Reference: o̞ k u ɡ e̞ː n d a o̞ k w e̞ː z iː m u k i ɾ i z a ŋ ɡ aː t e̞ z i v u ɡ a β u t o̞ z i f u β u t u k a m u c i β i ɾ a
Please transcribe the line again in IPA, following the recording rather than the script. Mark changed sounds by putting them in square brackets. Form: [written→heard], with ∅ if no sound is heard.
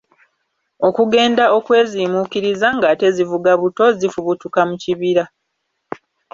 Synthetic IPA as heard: o̞ k u ɡ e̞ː n d a o̞ k w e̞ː z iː m u k i ɾ i z a ŋ ɡ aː t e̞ z i v u ɡ a β u t o̞ z i f u β u t u k a m u c i β i ɾ a